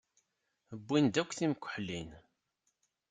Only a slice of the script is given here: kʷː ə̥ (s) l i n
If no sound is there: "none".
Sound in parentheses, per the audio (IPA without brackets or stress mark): ħ